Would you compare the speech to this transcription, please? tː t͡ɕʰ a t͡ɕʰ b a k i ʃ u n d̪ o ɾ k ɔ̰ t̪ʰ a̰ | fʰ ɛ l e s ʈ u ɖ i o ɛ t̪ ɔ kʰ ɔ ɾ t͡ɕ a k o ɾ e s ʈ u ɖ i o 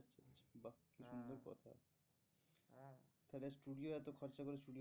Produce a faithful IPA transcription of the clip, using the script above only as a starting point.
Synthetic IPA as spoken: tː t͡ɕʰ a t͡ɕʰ b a k i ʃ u n d̪ o ɾ k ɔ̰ t̪ʰ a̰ | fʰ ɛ l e s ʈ u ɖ i o ɛ t̪ o kʰ ɔ ɾ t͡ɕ a k o ɾ e s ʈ u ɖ i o